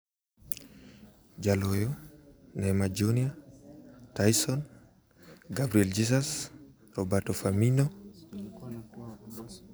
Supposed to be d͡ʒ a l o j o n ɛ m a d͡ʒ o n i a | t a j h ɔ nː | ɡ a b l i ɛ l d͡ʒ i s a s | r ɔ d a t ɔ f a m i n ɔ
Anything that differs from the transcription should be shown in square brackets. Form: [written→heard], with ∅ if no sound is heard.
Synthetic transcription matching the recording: d͡ʒ a l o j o n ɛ m a d͡ʒ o n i a | t a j [h→s] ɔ [nː→n] | ɡ a b [l→ɾ] i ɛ l d͡ʒ i s a s | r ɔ [d→b] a t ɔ f a m i n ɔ